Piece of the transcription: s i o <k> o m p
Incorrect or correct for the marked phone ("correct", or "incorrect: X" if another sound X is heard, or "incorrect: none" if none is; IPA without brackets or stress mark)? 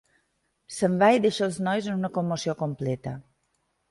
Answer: correct